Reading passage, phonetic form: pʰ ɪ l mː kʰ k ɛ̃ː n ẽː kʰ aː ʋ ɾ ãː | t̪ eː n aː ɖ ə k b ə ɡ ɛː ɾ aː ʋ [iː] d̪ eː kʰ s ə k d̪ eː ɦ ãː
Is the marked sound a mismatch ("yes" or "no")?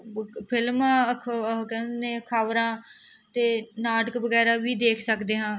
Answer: no